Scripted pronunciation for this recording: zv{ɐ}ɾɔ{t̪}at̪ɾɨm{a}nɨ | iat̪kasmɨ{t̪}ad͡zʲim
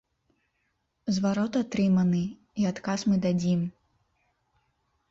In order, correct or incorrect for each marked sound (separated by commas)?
incorrect, correct, incorrect, incorrect